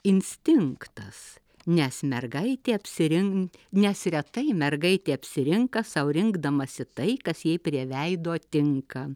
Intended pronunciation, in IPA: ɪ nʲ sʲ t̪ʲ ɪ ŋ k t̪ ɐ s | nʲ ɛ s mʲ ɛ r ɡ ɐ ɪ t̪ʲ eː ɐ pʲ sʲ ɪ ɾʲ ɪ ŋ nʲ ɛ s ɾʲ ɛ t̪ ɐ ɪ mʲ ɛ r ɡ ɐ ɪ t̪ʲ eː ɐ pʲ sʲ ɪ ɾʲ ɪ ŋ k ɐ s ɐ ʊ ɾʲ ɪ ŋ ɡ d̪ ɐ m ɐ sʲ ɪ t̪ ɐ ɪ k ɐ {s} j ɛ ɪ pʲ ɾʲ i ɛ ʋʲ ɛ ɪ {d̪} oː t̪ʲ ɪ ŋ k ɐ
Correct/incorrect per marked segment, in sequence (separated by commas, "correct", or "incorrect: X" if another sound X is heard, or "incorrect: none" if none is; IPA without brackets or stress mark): correct, correct